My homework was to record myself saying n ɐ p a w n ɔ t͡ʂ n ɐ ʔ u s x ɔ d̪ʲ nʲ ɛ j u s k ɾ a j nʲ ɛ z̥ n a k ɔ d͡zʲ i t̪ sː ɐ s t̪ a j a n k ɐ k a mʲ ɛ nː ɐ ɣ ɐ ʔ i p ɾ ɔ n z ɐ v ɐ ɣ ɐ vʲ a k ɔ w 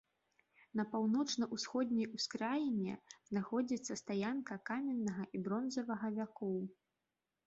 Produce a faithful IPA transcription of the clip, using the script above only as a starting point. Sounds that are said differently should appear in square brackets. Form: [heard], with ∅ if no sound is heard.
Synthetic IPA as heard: n ɐ p a w n ɔ t͡ʂ n ɐ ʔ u s x ɔ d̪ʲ nʲ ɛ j u s k ɾ a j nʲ ɛ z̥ n a [x] ɔ d͡zʲ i t̪ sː ɐ s t̪ a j a n k ɐ k a mʲ ɛ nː ɐ ɣ ɐ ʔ i [b] ɾ ɔ n z ɐ v ɐ ɣ ɐ vʲ a k ɔ w